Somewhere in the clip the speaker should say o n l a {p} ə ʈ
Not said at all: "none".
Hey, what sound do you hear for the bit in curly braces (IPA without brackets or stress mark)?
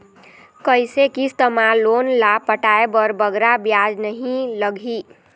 p